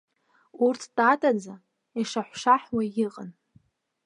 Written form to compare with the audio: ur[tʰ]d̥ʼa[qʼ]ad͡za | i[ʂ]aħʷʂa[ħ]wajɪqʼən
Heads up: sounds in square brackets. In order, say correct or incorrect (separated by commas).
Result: correct, incorrect, correct, correct